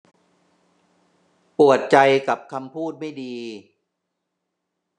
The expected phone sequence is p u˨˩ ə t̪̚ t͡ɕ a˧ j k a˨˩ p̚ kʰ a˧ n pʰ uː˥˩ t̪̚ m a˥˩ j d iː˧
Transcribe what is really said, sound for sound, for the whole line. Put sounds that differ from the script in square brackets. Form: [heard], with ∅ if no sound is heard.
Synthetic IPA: p u˨˩ ə t̪̚ t͡ɕ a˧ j k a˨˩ p̚ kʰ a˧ [m] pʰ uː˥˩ t̪̚ m a˥˩ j d iː˧